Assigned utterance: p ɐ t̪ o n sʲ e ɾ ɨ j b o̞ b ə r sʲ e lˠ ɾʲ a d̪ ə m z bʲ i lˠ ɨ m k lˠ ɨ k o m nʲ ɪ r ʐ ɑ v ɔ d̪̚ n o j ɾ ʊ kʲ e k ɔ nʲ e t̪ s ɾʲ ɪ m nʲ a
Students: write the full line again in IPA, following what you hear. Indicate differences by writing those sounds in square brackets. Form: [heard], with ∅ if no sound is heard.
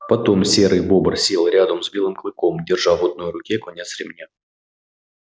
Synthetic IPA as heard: p ɐ t̪ o [m] sʲ e ɾ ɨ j b o̞ b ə r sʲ e lˠ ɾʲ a d̪ ə m z bʲ i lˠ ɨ m k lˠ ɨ k o m [dʲ] ɪ r ʐ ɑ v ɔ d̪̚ n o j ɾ ʊ kʲ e k ɔ nʲ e t̪ s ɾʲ ɪ m nʲ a